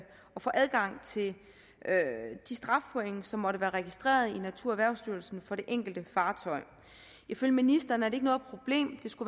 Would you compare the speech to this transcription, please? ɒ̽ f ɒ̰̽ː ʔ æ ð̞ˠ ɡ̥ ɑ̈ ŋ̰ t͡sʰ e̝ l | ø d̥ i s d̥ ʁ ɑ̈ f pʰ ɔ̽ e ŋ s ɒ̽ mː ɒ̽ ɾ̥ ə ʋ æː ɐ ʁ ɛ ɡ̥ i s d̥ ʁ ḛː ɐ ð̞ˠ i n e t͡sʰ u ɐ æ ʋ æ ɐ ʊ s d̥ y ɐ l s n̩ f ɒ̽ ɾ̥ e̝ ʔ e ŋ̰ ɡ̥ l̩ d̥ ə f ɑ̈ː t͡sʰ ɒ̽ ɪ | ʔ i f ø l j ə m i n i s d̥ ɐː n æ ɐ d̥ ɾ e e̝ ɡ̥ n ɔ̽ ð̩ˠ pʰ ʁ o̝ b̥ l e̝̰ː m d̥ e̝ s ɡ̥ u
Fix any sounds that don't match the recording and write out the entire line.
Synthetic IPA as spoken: ɒ̽ f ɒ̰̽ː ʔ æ ð̞ˠ ɡ̥ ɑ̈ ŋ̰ t͡sʰ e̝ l | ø d̥ i s d̥ ʁ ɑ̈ f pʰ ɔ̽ e ŋ s ɒ̽ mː ɒ̽ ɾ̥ ə ʋ æː ɐ ʁ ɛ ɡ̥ i s d̥ ʁ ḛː ɐ ð̞ˠ i n æ t͡sʰ u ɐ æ ʋ æ ɐ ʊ s d̥ y ɐ l s n̩ f ɒ̽ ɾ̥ e̝ ʔ e ŋ̰ ɡ̥ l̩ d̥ ə f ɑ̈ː t͡sʰ ɒ̽ ɪ | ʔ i f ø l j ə m i n i s d̥ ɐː n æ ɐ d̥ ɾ e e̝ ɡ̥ n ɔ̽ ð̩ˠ pʰ ʁ o̝ b̥ l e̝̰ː m d̥ e̝ s ɡ̥ u

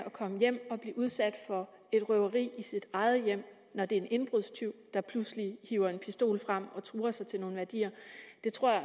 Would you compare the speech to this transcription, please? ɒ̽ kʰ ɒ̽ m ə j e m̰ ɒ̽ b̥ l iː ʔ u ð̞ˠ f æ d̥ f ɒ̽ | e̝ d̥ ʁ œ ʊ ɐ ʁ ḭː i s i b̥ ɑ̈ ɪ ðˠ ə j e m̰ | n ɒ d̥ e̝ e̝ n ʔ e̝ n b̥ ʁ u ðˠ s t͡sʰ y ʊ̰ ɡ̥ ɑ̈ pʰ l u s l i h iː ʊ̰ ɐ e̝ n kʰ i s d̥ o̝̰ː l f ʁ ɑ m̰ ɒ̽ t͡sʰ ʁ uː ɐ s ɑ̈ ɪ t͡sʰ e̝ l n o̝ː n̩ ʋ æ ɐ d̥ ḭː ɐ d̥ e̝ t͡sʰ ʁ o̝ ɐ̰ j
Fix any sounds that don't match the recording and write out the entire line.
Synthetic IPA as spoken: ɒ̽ kʰ ɒ̽ m ə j e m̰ ɒ̽ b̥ l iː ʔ u ð̞ˠ s æ d̥ f ɒ̽ | e̝ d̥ ʁ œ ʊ ɐ ʁ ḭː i s i d̥ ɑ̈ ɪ ðˠ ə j e m̰ | n ɒ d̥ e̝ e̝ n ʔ e̝ n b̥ ʁ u ðˠ s t͡sʰ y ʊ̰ d̥ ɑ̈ pʰ l u s l i h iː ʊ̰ ɐ e̝ n pʰ i s d̥ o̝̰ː l f ʁ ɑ m̰ ɒ̽ t͡sʰ ʁ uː ɐ s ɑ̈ ɪ t͡sʰ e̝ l n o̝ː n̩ ʋ æ ɐ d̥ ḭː ɐ d̥ e̝ t͡sʰ ʁ o̝ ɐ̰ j

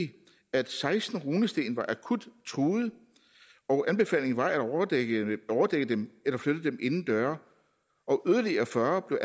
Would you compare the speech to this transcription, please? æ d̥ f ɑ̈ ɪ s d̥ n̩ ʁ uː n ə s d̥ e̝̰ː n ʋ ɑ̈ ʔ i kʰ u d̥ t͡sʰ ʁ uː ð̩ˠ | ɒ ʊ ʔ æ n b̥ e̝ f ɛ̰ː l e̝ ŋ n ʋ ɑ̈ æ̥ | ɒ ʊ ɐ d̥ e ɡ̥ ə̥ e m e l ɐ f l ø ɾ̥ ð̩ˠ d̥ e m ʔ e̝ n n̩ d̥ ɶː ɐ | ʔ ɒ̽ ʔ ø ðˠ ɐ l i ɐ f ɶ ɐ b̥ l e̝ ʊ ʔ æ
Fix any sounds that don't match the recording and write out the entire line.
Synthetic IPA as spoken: æ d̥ s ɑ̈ ɪ s d̥ n̩ ʁ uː n ə s d̥ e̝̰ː n ʋ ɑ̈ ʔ æ kʰ u d̥ t͡sʰ ʁ uː ð̩ˠ | ɒ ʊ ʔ æ n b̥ e̝ f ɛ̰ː l e̝ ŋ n ʋ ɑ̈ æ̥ | ɒ ʊ ɐ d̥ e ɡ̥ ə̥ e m e l ɐ f l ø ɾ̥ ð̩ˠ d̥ e m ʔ e̝ n n̩ d̥ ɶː ɐ | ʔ ɒ̽ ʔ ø ðˠ ɐ l i ɐ f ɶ ɐ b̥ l e̝ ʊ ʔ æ

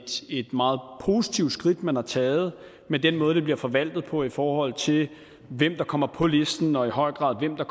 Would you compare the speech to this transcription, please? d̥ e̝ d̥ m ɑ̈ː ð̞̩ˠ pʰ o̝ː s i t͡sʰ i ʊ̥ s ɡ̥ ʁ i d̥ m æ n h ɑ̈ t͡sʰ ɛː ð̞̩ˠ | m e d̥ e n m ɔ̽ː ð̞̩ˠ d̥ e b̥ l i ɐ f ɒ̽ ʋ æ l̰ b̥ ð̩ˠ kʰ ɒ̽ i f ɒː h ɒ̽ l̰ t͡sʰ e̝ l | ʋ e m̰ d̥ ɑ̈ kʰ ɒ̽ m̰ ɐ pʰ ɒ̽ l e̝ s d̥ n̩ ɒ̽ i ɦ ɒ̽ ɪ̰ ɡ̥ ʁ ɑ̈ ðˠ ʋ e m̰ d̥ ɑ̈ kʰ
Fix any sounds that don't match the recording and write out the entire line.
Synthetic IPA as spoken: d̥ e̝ d̥ m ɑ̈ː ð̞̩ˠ pʰ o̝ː s i t͡sʰ i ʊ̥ s ɡ̥ ʁ i d̥ m æ n h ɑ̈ t͡sʰ ɛː ð̞̩ˠ | m e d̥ e n m ɔ̽ː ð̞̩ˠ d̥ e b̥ l i ɐ f ɒ̽ ʋ æ l̰ d̥ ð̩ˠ pʰ ɒ̽ i f ɒː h ɒ̽ l̰ t͡sʰ e̝ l | ʋ e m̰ d̥ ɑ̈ kʰ ɒ̽ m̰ ɐ pʰ ɒ̽ l e̝ s d̥ n̩ ɒ̽ i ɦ ɒ̽ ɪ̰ ɡ̥ ʁ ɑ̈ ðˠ ʋ e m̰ d̥ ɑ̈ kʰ

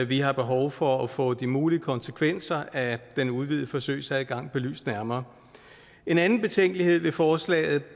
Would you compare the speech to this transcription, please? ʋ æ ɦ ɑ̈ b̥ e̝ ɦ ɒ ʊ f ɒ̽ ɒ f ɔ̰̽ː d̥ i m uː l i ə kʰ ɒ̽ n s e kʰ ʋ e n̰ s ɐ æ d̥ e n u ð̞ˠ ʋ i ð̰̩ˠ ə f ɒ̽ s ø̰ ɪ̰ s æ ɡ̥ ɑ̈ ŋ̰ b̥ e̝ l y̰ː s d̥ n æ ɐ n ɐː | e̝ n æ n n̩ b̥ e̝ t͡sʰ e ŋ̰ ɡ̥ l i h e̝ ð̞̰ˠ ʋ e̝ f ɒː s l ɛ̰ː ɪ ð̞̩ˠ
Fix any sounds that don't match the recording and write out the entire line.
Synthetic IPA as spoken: ʋ i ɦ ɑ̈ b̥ e̝ ɦ ɒ ʊ f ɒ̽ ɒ f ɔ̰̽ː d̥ i m uː l i ə kʰ ɒ̽ n s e kʰ ʋ e n̰ s ɐ æ d̥ e n u ð̞ˠ ʋ i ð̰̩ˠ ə f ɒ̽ s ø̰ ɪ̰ s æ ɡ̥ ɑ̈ ŋ̰ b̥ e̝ l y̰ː s d̥ n æ ɐ m ɐː | e̝ n æ n n̩ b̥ e̝ t͡sʰ e ŋ̰ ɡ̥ l i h e̝ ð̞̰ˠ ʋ e̝ f ɒː s l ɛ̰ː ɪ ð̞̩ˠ

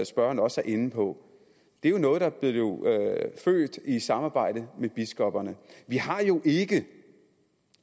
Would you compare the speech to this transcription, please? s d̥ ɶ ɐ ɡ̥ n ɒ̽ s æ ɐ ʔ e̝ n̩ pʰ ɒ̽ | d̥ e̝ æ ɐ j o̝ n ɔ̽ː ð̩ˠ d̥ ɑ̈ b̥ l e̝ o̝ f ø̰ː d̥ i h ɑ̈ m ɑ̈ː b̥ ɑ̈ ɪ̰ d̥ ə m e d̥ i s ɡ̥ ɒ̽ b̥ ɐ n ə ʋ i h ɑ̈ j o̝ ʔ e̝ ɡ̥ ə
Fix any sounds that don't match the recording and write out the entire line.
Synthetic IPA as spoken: s b̥ ɶ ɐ n ɒ̽ s æ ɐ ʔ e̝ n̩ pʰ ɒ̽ | d̥ e̝ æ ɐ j o̝ n ɔ̽ː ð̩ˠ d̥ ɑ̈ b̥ l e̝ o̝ f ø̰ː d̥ i s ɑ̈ m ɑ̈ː b̥ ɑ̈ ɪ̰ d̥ ə m e b̥ i s ɡ̥ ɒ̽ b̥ ɐ n ə ʋ i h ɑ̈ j o̝ ʔ e̝ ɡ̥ ə

